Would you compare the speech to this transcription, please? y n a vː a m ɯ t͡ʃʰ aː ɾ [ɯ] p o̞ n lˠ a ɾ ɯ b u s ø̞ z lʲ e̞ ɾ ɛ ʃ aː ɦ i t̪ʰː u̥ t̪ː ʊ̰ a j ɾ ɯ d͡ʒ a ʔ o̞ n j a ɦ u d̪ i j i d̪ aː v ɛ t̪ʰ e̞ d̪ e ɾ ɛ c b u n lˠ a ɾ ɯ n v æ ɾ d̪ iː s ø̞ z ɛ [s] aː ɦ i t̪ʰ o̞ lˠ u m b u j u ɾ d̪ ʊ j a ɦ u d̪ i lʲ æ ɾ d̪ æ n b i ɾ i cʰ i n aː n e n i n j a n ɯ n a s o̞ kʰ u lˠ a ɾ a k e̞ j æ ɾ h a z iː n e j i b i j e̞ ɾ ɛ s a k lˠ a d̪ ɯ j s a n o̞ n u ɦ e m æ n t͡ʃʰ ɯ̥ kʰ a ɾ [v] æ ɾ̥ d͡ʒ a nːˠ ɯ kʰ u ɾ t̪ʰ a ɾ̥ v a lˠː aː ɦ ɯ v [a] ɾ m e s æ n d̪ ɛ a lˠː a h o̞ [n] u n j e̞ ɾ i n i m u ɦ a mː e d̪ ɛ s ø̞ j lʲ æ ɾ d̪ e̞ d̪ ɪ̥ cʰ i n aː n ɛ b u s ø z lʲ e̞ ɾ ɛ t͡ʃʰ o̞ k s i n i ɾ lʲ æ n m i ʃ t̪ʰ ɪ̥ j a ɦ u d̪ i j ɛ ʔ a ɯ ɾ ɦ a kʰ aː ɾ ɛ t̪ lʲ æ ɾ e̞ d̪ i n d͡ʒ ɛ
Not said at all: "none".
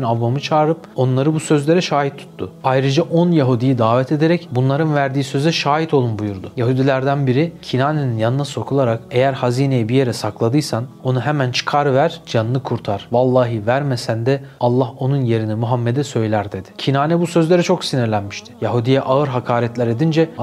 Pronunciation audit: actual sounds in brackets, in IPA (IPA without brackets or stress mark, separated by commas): ɯ, ʃ, v, æ, n